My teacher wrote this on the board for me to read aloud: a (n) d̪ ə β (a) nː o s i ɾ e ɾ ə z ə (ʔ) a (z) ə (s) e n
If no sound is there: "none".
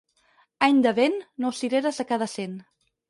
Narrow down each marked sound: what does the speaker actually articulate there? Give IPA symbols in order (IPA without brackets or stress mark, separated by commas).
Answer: ɲ, e, k, ð, s